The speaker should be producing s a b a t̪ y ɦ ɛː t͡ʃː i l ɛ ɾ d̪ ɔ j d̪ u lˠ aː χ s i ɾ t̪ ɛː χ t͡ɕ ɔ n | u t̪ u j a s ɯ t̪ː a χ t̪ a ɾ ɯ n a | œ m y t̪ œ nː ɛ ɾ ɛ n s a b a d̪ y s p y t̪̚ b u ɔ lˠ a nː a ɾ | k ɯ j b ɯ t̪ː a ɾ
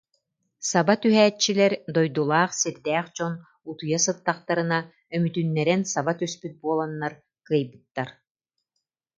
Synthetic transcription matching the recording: s a b a t̪ y ɦ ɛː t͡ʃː i l ɛ ɾ d̪ ɔ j d̪ u lˠ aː χ s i ɾ d̪ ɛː χ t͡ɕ ɔ n | u t̪ u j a s ɯ t̪ː a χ t̪ a ɾ ɯ n a | œ m y t̪ y nː ɛ ɾ ɛ n s a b a t̪ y s p y t̪̚ b u ɔ lˠ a nː a ɾ | k ɯ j b ɯ t̪ː a ɾ